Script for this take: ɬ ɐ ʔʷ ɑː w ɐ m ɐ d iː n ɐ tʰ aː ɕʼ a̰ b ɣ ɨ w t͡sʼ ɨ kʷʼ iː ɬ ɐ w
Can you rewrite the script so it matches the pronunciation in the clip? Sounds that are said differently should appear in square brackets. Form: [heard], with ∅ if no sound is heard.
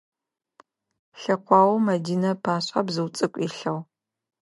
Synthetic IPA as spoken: ɬ ɐ [qʷ] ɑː w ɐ m ɐ d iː n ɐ [pʰ] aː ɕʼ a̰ b [z] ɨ w t͡sʼ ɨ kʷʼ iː ɬ ɐ w